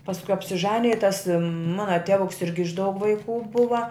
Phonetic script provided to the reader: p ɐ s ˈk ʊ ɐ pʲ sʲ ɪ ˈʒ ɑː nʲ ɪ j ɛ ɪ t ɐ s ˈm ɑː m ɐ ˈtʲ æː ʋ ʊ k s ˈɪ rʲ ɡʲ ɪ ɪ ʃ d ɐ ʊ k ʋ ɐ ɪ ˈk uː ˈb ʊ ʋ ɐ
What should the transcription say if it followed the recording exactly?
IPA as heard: p ɐ s ˈk ʊ ɐ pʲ sʲ ɪ ˈʒ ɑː nʲ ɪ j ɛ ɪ t ɐ s ˈm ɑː n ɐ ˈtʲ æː ʋ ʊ k s ˈɪ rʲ ɡʲ ɪ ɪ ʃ d ɐ ʊ k ʋ ɐ ɪ ˈk uː ˈb ʊ ʋ ɐ